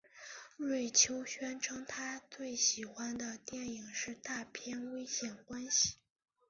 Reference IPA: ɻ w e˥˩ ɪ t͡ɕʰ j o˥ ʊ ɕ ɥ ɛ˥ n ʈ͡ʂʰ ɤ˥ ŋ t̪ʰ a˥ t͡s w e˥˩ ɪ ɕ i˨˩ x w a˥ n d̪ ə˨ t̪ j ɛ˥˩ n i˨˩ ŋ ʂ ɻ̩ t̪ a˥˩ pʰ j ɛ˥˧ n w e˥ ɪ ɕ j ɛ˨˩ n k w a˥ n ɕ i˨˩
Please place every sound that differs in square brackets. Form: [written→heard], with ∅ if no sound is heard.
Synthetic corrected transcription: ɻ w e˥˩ ɪ t͡ɕʰ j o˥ ʊ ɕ ɥ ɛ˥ n ʈ͡ʂʰ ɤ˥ ŋ t̪ʰ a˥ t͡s w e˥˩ ɪ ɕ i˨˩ x w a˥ n d̪ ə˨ t̪ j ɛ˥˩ n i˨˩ ŋ ʂ ɻ̩ t̪ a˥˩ pʰ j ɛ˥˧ n w e˥ ɪ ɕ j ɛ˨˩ n k w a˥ n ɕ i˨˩